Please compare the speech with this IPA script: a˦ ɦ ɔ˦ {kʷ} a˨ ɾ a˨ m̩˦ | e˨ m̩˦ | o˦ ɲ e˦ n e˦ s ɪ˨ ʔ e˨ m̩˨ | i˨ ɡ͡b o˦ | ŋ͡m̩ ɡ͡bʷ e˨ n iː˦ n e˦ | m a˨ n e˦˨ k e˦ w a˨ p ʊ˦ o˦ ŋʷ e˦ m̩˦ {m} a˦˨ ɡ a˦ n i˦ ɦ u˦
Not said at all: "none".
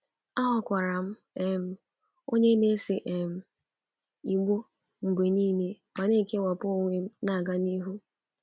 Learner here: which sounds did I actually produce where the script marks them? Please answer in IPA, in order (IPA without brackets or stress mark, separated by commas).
kʷ, n